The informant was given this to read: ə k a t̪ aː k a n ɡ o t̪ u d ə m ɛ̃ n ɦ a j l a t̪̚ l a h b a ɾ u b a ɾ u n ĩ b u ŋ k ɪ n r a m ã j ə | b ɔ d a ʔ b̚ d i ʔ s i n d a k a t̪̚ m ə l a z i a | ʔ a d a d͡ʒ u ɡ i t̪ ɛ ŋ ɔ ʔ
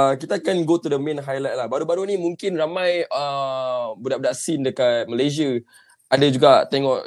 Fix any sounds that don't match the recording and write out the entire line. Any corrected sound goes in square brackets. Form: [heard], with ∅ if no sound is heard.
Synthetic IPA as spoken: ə k [i] t̪ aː k a n ɡ o t̪ u d ə m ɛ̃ n ɦ a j l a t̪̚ l a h b a ɾ u b a ɾ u n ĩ [m] u ŋ k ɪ n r a m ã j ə | b [u] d a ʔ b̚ d [a] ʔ s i n d [ə] k a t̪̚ m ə l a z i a | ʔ a d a d͡ʒ u ɡ [a] t̪ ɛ ŋ ɔ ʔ